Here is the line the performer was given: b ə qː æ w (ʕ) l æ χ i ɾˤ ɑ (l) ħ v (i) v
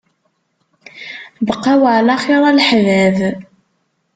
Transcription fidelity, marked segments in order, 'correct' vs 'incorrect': correct, correct, incorrect: æ

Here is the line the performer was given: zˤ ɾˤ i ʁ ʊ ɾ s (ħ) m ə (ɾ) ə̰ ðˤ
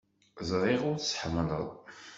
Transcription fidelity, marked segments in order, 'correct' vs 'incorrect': correct, incorrect: l

